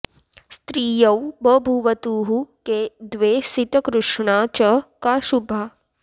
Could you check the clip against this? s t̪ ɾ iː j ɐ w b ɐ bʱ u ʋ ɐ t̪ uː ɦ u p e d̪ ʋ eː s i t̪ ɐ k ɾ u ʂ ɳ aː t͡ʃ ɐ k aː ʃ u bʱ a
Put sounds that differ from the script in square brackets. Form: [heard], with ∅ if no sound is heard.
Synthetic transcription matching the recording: s t̪ ɾ iː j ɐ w b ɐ bʱ u ʋ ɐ t̪ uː ɦ u [k] e d̪ ʋ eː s i t̪ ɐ k ɾ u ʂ ɳ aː t͡ʃ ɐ k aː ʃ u bʱ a